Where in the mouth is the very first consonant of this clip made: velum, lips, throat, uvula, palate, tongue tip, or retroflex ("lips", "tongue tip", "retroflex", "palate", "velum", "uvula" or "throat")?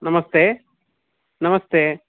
tongue tip